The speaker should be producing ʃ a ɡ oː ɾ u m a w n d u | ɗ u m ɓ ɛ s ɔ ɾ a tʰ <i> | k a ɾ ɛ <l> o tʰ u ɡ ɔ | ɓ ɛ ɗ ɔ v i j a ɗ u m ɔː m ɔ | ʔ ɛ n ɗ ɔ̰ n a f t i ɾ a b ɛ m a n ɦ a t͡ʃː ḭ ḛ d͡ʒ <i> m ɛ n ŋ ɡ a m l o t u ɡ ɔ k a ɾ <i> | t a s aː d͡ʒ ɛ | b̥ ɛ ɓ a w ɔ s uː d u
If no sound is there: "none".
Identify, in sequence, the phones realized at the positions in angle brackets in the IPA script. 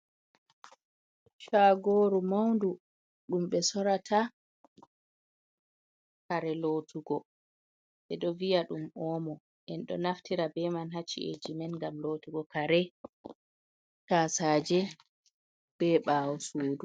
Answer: a, l, i, ɛ

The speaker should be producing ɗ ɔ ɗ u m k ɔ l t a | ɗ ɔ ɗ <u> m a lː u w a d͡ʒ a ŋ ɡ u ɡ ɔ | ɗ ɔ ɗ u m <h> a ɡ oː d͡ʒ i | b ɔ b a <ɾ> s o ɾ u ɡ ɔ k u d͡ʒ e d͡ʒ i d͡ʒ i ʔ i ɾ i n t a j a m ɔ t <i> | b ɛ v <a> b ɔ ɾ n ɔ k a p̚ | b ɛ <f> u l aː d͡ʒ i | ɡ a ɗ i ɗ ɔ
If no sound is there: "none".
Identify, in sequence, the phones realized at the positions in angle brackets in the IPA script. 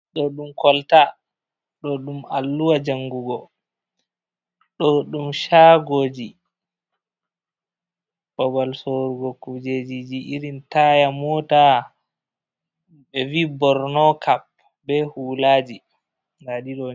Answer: u, ʃ, l, a, i, h

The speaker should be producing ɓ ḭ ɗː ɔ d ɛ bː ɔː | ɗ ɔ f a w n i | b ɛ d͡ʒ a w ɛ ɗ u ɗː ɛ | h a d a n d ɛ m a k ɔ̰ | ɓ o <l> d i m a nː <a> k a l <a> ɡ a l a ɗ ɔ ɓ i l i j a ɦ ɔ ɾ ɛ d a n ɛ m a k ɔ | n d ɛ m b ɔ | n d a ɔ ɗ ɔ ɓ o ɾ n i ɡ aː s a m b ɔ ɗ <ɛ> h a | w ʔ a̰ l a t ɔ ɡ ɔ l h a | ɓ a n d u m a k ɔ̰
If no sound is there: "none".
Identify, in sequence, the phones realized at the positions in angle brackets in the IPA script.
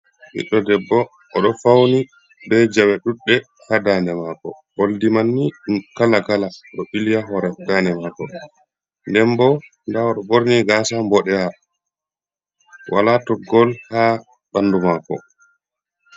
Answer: l, i, a, ɛ

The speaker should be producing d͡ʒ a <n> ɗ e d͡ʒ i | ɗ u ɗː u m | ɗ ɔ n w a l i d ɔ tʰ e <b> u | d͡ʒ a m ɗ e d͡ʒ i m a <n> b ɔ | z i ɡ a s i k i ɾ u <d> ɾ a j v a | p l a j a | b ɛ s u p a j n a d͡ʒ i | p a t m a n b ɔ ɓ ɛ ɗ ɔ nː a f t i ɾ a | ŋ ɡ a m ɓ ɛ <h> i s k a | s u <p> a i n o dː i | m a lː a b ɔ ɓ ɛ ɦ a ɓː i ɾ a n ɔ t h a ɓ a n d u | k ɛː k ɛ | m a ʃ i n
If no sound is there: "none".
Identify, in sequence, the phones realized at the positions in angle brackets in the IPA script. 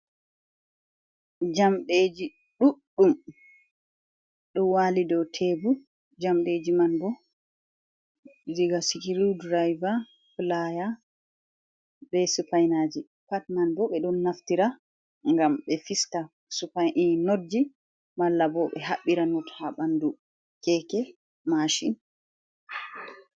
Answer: m, b, n, d, f, p

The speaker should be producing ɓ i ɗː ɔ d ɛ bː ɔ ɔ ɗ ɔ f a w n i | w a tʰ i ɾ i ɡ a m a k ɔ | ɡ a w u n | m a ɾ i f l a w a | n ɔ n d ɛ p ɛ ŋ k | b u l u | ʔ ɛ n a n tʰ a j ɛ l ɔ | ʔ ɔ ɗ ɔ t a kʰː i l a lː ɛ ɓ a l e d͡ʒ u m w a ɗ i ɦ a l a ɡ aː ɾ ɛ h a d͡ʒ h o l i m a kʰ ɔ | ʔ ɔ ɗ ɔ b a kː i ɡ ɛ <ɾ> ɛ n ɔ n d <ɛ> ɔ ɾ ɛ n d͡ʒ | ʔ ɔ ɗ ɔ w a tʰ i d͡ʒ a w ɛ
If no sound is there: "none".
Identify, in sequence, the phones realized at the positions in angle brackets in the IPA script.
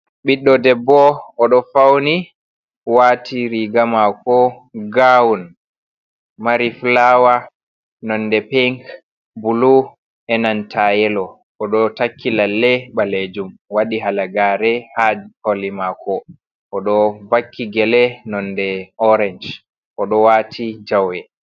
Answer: l, ɛ

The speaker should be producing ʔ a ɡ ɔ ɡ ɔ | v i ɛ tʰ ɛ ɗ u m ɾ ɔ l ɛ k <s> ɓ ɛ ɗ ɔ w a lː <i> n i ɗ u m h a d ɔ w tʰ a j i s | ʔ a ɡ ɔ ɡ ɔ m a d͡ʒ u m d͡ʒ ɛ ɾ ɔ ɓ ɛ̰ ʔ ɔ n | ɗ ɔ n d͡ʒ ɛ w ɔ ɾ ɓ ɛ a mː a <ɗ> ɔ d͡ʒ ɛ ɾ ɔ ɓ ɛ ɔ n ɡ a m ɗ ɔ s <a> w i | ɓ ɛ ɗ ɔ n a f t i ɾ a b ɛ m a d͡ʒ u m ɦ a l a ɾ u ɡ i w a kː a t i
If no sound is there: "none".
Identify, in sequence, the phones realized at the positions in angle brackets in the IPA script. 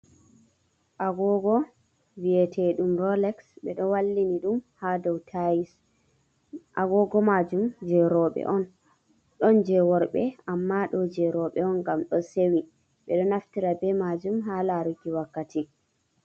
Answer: s, i, ɗ, e

